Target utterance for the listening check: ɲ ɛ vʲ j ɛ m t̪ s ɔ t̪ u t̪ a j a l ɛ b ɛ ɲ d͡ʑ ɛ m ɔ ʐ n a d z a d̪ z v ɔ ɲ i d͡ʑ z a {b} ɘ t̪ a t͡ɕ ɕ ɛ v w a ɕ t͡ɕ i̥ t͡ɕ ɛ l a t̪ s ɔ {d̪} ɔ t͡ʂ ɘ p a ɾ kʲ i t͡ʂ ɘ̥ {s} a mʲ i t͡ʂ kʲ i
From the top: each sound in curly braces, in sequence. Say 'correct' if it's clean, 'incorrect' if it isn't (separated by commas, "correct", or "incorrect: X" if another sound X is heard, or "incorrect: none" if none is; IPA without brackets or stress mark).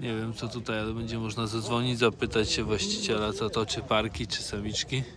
incorrect: p, incorrect: t̪, correct